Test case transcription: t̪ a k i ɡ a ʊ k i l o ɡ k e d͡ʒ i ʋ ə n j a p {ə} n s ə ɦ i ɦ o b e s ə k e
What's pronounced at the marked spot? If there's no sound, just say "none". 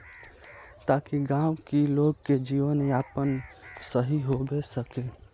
ə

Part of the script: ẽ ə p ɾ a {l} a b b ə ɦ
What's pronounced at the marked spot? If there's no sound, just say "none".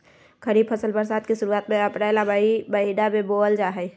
l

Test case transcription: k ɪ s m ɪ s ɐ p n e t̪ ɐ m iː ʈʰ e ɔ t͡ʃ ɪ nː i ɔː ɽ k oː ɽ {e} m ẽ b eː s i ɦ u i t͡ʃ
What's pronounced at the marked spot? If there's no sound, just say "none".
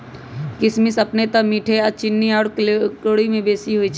i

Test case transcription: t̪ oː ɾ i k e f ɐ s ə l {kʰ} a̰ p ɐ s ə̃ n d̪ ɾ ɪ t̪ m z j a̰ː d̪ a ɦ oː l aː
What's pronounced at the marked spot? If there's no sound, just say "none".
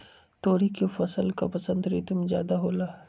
k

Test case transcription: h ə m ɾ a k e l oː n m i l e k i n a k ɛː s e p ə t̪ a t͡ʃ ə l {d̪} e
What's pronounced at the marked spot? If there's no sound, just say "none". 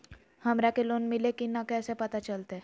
t̪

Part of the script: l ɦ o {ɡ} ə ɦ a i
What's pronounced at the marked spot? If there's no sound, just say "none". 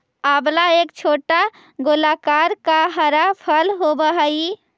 b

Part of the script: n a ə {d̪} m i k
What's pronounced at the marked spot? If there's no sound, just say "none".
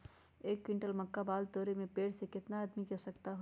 d̪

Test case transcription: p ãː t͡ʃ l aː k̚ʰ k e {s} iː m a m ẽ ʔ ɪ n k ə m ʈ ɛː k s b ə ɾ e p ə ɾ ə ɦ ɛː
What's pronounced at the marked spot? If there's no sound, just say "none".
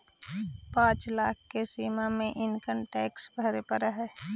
s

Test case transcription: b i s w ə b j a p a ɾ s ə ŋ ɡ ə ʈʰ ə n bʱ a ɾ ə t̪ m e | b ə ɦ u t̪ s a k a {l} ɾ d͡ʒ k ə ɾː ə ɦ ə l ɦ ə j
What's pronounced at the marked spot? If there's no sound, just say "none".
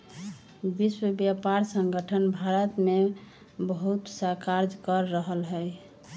none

